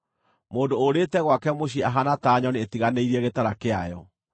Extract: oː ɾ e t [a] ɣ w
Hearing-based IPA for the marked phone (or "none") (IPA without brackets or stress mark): ɛ